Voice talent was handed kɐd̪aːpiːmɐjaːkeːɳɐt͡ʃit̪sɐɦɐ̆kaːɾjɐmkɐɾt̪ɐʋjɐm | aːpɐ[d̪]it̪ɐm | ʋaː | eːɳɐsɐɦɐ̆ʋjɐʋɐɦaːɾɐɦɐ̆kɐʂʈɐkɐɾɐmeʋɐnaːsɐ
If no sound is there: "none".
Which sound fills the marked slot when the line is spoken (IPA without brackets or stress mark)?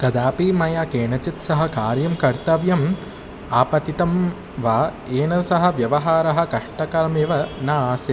t̪